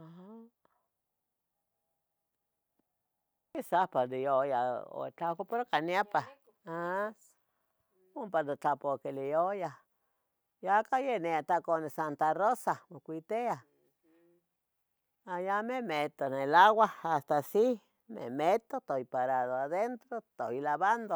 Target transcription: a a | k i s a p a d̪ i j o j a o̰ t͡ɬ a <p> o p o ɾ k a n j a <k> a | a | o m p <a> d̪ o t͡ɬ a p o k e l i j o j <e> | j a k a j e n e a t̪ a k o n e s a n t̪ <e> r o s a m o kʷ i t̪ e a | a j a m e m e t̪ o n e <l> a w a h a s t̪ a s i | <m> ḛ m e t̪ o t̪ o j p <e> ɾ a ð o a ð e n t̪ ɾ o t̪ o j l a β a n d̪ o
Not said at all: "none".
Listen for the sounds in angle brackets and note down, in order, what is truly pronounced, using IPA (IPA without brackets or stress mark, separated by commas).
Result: k, p, a, a, a, l, m, a